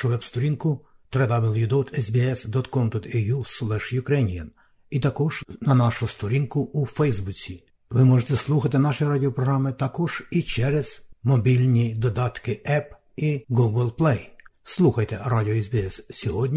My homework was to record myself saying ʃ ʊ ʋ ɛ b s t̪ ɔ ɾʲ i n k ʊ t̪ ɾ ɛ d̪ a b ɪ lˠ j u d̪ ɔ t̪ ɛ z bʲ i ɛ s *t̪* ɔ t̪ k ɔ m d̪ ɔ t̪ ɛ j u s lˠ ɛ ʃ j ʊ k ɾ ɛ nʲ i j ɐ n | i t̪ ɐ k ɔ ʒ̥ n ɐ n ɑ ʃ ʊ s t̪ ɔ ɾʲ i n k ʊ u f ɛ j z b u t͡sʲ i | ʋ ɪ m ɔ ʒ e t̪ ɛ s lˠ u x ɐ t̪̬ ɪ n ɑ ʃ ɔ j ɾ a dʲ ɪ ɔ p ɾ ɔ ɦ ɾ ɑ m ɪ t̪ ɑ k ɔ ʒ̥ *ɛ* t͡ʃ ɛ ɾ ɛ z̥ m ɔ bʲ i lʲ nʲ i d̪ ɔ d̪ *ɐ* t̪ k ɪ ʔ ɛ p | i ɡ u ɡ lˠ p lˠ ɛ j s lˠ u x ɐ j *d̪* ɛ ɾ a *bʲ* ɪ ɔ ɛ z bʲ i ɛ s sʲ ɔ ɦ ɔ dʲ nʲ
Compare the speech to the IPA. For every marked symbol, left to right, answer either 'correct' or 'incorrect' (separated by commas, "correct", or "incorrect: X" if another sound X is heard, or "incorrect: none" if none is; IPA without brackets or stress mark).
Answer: incorrect: d̪, incorrect: i, incorrect: ɑ, incorrect: t̪, incorrect: dʲ